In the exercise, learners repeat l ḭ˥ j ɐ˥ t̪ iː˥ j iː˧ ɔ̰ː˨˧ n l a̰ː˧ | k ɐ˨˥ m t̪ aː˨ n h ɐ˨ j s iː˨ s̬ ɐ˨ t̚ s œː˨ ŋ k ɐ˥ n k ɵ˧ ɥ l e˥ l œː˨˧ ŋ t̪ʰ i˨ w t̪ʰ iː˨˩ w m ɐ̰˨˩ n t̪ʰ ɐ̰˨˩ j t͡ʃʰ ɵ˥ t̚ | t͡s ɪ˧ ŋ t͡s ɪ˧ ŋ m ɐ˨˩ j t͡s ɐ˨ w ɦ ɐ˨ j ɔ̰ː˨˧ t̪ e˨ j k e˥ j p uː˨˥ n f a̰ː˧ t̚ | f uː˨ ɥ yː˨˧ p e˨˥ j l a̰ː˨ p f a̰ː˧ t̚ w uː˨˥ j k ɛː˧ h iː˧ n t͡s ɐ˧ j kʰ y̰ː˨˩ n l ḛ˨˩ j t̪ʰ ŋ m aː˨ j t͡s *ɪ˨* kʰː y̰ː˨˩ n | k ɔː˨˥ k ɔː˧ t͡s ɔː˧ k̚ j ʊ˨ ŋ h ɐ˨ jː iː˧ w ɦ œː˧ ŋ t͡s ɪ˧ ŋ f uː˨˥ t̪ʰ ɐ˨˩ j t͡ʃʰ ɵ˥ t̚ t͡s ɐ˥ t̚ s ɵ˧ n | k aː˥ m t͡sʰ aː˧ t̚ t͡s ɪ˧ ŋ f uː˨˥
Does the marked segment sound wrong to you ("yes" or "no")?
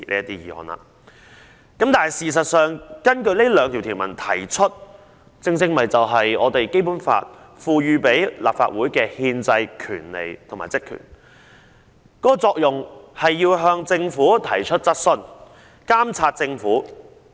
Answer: yes